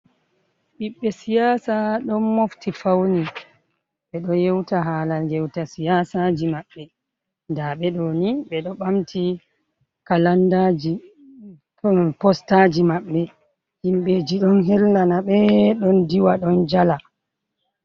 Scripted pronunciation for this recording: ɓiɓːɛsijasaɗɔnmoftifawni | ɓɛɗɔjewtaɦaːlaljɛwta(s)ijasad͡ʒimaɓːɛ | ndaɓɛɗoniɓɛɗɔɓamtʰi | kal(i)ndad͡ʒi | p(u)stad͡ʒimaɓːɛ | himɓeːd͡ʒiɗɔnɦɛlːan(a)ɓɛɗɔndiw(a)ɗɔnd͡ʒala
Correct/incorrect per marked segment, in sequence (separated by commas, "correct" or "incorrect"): correct, incorrect, incorrect, correct, correct